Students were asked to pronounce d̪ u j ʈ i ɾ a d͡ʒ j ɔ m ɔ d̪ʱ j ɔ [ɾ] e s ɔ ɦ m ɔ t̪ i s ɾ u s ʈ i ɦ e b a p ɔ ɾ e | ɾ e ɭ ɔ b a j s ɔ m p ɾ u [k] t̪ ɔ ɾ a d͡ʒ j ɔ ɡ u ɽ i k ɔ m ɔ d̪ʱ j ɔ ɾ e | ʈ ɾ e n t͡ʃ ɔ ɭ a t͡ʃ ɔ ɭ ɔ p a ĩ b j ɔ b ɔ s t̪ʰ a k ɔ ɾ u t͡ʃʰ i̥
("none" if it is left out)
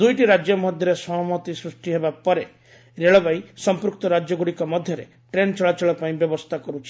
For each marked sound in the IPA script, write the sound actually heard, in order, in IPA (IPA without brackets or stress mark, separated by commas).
ɾ, k